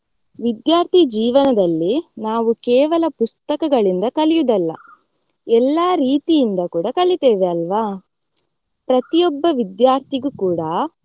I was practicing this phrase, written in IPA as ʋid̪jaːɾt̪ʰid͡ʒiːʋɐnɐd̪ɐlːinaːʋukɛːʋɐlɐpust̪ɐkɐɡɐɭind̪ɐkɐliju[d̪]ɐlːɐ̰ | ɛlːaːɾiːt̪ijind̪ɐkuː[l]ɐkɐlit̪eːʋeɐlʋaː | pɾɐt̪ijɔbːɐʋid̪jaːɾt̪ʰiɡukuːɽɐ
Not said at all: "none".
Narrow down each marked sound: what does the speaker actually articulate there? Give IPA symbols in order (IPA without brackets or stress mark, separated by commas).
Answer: d̪, ɽ